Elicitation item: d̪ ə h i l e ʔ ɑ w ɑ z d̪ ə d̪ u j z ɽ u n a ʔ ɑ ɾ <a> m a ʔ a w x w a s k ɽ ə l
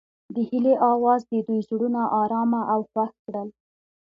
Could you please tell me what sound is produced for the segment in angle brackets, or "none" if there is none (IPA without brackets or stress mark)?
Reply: ɑ